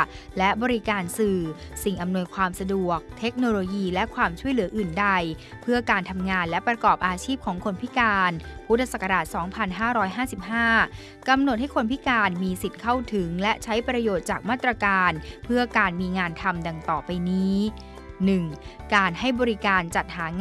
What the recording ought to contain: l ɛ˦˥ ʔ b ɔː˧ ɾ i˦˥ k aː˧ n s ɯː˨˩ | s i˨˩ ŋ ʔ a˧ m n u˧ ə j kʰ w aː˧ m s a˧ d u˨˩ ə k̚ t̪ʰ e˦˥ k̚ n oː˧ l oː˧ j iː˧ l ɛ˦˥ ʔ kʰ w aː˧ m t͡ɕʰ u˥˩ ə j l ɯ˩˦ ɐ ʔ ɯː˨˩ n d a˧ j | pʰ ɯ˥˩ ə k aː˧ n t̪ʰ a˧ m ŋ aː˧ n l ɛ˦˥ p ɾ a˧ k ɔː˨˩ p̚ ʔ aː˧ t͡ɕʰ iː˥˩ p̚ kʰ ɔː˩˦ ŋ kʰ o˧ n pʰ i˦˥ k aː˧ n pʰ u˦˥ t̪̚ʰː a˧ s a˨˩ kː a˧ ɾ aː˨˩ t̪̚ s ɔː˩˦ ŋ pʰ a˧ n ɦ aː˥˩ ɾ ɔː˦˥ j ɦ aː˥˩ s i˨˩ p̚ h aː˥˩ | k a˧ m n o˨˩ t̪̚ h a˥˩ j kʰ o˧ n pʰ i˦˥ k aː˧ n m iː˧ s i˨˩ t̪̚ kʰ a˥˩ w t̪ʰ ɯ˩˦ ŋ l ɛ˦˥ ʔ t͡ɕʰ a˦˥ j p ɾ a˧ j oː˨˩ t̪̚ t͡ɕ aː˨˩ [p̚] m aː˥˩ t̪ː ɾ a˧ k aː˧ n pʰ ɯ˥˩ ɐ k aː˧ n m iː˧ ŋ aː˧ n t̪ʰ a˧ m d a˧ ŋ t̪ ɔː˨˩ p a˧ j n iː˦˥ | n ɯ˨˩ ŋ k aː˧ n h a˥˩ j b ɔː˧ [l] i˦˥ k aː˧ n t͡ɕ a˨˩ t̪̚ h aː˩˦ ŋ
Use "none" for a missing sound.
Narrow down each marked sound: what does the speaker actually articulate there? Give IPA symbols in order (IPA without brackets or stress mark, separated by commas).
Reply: k̚, ɾ